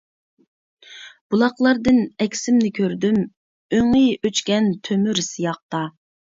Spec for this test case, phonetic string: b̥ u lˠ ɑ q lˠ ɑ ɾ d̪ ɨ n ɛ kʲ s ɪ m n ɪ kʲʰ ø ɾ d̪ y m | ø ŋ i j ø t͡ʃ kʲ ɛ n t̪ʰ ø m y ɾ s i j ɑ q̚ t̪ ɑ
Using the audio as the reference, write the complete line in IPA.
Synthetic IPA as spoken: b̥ u lˠ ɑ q lˠ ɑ ɾ d̪ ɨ n ɛ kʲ s ɪ m n ɪ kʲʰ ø ɾ d̪ y m | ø ŋ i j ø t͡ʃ kʲ ɛ n t̪ʰ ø m y ɾ s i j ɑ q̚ t̪ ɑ